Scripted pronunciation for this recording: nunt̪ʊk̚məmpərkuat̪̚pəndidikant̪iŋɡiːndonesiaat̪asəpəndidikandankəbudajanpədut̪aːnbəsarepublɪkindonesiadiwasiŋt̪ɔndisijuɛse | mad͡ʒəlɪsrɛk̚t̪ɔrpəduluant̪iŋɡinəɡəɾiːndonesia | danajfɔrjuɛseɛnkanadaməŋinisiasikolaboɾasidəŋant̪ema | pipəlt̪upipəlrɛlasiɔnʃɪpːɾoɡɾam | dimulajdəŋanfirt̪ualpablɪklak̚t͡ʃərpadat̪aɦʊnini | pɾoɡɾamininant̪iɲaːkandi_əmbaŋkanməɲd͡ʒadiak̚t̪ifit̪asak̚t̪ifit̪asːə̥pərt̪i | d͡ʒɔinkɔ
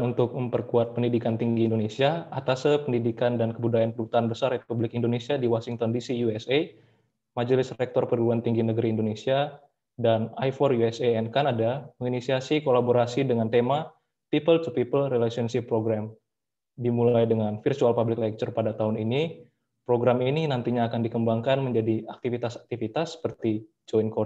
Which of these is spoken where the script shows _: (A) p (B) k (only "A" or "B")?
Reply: B